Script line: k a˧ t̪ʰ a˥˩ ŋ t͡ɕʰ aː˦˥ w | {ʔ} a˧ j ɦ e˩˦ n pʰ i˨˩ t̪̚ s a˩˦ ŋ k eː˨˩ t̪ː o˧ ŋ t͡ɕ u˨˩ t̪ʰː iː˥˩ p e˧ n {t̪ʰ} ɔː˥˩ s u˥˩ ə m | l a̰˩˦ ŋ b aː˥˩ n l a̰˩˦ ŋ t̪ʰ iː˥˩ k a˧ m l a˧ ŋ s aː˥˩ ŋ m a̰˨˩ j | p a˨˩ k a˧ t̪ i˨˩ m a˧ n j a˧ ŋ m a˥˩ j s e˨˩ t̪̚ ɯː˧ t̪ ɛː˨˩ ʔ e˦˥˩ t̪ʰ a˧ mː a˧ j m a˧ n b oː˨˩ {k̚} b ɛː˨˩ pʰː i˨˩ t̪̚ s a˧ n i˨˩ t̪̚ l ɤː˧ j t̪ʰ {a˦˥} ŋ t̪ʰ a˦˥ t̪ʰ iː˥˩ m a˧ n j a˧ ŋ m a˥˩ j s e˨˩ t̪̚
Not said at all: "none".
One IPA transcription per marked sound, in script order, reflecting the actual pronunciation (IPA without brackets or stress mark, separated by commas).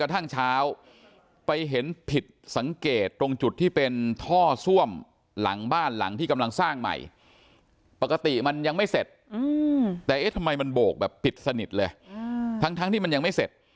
p, t̪ʰ, k̚, a˦˥